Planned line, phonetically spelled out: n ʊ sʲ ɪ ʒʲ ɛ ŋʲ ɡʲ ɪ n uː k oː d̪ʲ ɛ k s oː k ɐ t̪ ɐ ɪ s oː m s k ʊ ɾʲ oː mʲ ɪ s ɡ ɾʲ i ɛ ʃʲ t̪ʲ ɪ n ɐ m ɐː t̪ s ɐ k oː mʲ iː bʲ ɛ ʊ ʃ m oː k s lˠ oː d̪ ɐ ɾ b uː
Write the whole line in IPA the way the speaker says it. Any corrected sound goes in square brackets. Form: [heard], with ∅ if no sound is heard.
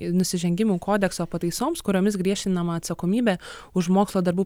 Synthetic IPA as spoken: n ʊ sʲ ɪ ʒʲ ɛ ŋʲ ɡʲ ɪ [m] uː k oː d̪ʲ ɛ k s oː [p] ɐ t̪ ɐ ɪ s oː m s k ʊ ɾʲ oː mʲ ɪ s ɡ ɾʲ i ɛ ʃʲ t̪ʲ ɪ n ɐ m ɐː t̪ s ɐ k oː mʲ iː bʲ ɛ ʊ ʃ m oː k s lˠ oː d̪ ɐ ɾ b uː